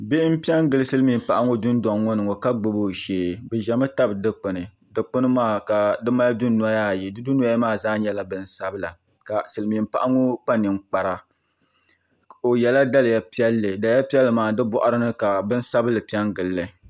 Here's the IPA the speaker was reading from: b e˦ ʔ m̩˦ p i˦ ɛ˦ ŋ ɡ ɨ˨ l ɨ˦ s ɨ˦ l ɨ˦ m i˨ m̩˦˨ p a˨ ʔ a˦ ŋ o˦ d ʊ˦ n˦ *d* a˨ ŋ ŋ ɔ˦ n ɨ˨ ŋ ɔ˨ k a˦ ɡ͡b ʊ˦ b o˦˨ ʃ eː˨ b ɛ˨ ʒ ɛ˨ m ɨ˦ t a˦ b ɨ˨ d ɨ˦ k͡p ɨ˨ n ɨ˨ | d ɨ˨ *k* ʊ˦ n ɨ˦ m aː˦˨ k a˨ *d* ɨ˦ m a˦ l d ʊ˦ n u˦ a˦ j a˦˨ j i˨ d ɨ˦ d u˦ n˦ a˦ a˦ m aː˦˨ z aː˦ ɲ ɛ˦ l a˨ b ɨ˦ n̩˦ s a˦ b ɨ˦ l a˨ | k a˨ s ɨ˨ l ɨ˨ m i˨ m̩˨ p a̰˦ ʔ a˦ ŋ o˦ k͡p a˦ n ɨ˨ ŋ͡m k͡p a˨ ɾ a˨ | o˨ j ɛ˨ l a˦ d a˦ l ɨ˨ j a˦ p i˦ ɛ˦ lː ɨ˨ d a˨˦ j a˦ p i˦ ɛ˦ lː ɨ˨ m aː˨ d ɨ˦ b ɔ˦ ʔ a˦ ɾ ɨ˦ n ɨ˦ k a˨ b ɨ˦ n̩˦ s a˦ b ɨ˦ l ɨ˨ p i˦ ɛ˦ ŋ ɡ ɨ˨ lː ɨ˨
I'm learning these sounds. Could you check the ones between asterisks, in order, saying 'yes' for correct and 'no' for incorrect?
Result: yes, no, yes

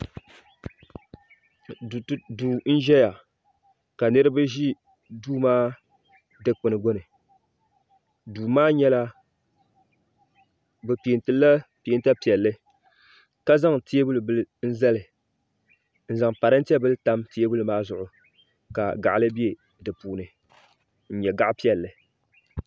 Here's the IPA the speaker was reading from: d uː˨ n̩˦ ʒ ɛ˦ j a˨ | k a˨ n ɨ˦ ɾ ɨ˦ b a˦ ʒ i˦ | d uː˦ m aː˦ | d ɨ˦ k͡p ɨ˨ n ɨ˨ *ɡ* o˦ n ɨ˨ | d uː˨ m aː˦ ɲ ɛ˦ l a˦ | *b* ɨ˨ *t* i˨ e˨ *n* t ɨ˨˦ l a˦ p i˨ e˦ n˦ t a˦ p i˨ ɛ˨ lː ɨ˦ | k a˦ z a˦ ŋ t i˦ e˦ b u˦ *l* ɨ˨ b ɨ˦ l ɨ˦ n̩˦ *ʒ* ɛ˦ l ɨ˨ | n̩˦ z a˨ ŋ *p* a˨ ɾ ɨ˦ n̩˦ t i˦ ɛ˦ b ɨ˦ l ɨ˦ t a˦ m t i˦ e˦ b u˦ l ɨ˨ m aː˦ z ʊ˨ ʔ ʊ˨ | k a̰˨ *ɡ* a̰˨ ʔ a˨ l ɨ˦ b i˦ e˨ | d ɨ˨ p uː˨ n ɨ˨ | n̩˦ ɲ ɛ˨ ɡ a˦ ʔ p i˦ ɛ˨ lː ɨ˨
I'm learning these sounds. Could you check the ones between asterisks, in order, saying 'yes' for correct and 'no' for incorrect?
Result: yes, yes, no, yes, yes, no, yes, yes

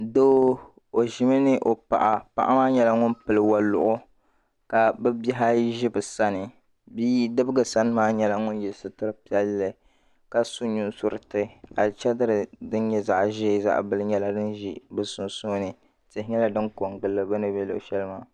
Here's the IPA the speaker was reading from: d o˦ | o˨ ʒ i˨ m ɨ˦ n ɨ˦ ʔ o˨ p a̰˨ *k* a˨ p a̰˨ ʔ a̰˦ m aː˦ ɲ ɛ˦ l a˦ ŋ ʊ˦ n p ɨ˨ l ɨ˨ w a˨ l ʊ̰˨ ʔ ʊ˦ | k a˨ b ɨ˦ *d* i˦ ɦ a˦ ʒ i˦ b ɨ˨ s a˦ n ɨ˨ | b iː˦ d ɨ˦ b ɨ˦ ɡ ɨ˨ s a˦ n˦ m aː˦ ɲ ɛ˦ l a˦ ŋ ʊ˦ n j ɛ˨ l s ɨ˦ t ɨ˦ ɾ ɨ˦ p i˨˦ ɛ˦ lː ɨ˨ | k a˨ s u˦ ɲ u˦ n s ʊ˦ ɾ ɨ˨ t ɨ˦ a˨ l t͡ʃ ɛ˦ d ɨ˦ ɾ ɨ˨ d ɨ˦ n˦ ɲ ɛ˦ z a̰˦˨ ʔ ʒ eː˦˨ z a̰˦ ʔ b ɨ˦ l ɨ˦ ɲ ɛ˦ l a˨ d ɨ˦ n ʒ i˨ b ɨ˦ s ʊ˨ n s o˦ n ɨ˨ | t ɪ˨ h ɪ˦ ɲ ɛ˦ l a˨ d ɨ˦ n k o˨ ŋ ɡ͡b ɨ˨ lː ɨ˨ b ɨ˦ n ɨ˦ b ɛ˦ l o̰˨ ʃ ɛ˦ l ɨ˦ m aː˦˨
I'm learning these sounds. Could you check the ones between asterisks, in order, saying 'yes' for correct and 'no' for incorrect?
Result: no, no

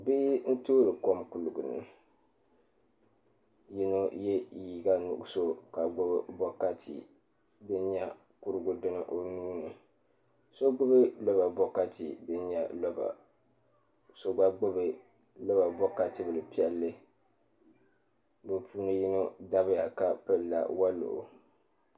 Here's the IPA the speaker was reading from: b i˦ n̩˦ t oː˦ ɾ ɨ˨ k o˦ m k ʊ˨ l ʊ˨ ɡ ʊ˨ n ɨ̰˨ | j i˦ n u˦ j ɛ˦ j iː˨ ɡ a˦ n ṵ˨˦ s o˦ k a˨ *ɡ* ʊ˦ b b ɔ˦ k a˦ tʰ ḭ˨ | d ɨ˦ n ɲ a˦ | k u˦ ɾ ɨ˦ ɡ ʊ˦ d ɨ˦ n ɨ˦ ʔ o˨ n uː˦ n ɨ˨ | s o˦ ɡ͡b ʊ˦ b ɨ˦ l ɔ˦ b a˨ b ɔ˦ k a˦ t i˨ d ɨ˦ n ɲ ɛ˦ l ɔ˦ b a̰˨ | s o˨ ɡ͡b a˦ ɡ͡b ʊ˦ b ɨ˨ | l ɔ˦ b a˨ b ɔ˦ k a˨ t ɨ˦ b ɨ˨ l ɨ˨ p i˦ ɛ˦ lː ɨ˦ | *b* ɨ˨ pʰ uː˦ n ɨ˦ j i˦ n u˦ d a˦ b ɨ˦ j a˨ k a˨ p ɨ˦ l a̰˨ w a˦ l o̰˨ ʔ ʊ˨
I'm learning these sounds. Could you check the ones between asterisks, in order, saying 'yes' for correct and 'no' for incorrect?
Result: no, yes

